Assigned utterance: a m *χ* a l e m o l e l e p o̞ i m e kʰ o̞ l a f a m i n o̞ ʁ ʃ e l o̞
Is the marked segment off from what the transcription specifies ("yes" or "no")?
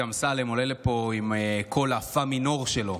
yes